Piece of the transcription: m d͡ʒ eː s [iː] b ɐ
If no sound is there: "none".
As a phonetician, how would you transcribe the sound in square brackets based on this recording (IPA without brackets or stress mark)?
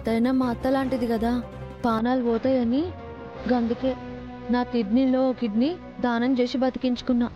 i